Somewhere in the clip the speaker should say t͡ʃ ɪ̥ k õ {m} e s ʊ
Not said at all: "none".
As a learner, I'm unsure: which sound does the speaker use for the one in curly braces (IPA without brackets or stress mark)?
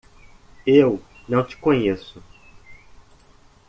ɲ